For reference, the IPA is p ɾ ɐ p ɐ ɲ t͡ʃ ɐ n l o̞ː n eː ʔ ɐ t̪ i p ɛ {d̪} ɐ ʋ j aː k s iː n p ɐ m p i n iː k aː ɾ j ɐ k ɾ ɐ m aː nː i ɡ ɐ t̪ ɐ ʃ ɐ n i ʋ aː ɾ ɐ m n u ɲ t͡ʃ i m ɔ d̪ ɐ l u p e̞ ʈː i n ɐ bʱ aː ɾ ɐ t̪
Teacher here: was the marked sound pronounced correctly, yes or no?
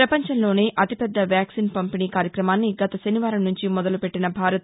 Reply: no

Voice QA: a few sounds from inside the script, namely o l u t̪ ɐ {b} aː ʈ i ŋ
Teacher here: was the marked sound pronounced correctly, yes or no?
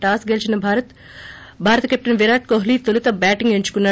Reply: yes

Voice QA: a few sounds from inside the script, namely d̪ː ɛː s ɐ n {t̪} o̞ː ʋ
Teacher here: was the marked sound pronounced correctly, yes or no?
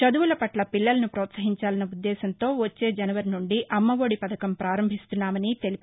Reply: yes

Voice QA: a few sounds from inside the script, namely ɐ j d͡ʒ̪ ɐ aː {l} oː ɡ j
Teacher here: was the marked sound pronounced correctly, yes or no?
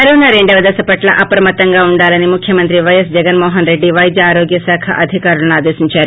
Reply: no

